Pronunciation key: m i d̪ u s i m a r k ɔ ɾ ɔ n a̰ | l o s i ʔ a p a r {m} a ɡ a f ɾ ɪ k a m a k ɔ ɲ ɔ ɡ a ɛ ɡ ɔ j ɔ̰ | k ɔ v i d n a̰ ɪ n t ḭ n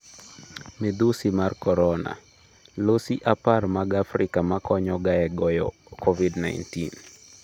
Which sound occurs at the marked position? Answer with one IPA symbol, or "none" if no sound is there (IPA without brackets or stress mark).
m